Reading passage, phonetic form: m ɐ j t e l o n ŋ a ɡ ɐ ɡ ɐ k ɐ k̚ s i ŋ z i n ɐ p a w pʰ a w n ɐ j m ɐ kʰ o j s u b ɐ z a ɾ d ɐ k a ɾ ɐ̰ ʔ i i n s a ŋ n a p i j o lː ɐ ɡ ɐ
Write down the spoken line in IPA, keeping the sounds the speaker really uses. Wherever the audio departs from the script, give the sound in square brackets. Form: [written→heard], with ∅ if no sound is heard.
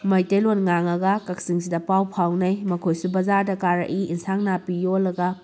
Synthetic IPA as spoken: m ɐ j t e l o n ŋ a [ɡ→ŋ] ɐ ɡ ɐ k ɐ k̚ s i ŋ [z→s] i [n→d] ɐ p a w pʰ a w n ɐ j m ɐ kʰ o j s u b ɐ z a ɾ d ɐ k a ɾ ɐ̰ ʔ i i n s a ŋ n a p i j o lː ɐ ɡ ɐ